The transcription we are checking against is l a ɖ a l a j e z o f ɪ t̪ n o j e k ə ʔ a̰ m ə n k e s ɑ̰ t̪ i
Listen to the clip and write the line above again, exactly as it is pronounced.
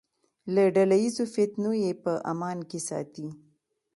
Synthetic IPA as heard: l a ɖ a l a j i z o f ɪ t̪ n o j e p ə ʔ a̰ m ɑ n k e s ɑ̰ t̪ i